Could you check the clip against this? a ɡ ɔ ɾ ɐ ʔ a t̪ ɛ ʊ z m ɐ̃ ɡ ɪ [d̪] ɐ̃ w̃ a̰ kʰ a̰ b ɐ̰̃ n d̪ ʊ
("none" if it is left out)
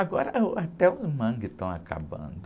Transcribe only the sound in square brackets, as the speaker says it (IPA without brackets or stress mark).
t̪